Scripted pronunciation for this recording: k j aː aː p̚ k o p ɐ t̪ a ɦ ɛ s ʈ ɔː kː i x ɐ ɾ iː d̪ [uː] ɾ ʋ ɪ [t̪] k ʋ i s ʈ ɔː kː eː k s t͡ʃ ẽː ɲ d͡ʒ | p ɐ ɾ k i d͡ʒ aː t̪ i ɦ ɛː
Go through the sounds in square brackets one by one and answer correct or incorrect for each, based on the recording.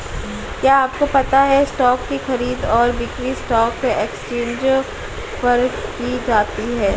incorrect: ɔː, incorrect: none

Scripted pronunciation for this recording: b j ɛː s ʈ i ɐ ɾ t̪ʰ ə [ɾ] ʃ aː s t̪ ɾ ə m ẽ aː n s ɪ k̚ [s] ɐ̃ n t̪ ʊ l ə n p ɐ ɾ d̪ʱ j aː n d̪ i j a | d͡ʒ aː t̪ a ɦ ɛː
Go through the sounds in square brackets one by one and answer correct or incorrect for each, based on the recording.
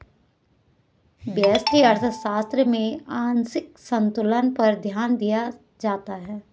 incorrect: none, correct

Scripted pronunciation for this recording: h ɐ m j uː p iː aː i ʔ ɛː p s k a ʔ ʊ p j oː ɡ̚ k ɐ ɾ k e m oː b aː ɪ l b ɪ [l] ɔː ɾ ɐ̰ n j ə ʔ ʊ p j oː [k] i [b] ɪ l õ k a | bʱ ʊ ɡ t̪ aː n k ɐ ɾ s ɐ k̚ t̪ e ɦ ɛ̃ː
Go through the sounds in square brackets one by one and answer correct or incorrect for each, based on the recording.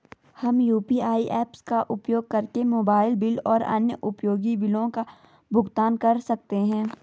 correct, incorrect: ɡ, correct

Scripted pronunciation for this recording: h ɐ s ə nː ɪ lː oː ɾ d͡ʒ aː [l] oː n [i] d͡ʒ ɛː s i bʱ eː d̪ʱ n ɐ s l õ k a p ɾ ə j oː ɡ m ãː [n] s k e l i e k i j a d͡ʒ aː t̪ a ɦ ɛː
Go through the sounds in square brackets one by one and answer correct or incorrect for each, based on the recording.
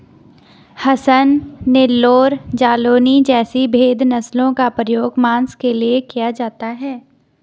correct, correct, correct

